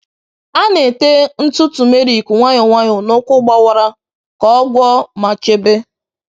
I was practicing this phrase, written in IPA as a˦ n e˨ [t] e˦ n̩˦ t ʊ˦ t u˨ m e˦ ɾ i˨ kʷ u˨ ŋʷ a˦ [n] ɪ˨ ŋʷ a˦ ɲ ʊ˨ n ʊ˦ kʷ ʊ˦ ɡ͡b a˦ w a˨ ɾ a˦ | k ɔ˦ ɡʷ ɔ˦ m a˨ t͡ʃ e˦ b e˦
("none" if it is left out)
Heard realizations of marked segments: t, ɲ

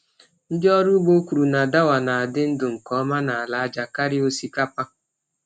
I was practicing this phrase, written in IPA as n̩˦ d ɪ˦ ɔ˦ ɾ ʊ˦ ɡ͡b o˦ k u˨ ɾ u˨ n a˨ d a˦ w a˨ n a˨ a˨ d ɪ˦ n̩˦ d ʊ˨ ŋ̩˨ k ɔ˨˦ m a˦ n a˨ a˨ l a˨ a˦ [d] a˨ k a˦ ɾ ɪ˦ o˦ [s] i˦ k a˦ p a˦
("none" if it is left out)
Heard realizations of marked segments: d͡ʒ, s

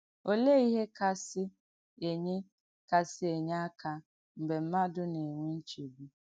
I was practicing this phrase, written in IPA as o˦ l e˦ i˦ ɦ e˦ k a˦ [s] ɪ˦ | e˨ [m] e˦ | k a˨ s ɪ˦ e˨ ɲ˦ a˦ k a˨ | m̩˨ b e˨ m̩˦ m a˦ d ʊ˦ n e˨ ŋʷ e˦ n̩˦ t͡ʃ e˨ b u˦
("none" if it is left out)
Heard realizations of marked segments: s, ɲ

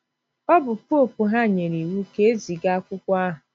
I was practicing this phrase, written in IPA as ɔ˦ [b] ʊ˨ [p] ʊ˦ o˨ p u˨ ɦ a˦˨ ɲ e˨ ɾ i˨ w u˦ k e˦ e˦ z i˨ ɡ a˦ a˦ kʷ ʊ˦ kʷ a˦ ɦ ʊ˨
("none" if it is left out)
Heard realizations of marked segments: b, p

